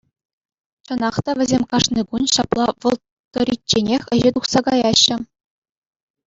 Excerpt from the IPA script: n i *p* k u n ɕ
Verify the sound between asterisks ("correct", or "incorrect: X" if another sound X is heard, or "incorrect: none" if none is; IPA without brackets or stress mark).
incorrect: none